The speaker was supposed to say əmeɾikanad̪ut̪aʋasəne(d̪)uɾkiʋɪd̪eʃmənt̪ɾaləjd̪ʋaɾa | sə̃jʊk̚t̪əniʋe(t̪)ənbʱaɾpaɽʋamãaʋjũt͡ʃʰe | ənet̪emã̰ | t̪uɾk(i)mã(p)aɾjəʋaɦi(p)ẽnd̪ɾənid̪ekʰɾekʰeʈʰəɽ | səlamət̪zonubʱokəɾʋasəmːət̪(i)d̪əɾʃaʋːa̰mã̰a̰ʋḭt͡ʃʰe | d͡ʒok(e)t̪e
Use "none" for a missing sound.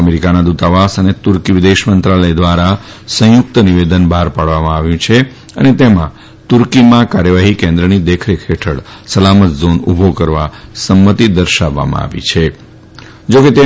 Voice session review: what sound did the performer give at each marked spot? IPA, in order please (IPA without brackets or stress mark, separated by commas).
t̪, d̪, i, k, k, i, e